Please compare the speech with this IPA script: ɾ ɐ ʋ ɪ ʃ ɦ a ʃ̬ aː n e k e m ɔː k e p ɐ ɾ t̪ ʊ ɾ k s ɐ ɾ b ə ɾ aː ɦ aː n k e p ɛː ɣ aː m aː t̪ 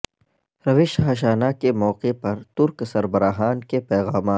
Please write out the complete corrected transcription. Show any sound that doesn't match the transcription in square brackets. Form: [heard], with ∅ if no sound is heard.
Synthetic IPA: ɾ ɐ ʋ ɪ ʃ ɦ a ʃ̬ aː n [a] k e m ɔː [q] e p ɐ ɾ t̪ ʊ ɾ k s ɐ ɾ b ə ɾ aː ɦ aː n k e p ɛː ɣ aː m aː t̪